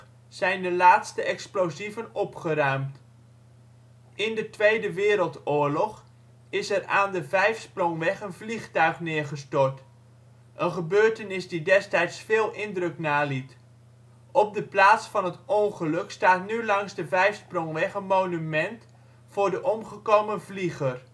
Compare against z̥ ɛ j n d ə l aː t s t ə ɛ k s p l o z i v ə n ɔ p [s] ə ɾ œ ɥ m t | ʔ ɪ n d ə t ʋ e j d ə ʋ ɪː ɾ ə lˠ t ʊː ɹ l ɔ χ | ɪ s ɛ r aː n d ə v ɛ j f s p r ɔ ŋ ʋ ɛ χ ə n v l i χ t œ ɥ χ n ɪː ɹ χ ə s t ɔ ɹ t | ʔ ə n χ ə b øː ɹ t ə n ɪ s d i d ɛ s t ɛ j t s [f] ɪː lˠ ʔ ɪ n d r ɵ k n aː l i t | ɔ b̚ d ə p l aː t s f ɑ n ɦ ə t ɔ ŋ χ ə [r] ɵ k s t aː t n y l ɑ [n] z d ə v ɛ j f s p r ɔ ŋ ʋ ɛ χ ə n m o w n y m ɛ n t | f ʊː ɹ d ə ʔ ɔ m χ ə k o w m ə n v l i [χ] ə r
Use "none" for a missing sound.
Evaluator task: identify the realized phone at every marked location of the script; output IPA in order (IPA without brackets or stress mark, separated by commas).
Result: χ, f, l, ŋ, χ